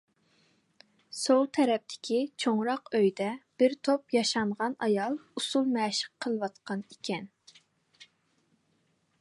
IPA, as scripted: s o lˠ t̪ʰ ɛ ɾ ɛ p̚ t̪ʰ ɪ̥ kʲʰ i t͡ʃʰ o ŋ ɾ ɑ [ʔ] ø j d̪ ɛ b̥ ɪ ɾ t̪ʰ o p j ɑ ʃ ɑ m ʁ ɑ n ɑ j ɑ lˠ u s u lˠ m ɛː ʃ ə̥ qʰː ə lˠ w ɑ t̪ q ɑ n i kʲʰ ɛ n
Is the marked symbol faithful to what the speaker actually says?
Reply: no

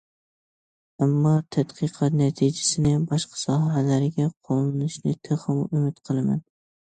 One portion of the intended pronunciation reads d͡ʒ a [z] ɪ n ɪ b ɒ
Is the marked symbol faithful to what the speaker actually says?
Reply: no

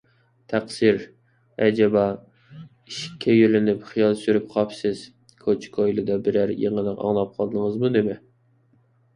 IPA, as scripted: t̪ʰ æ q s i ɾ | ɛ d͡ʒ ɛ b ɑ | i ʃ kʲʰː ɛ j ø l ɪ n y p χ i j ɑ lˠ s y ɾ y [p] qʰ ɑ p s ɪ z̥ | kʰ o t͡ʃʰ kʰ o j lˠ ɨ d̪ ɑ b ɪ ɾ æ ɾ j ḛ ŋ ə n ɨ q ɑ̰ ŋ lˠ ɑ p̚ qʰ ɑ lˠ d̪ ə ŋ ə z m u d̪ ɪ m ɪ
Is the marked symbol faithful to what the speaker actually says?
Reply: yes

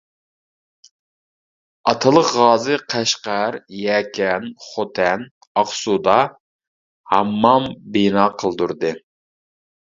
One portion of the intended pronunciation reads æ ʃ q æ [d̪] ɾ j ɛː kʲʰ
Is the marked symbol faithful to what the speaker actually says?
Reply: no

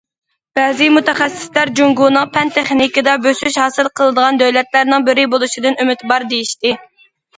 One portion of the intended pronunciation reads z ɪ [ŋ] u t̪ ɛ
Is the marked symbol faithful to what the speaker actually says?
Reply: no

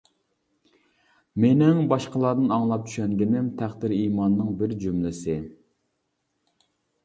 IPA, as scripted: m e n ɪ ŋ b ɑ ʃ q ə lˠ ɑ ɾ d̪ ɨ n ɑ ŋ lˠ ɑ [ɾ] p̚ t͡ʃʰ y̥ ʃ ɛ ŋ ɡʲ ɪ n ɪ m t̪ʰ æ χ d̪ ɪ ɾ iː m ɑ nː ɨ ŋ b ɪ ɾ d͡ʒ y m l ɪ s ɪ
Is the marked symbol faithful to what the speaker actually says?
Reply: no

